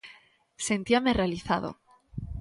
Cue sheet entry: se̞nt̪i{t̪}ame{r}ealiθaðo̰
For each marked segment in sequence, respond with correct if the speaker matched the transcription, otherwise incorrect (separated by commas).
incorrect, correct